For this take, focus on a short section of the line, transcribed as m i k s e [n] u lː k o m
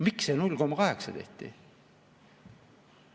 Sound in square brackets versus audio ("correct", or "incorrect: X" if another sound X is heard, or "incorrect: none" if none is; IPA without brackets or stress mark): correct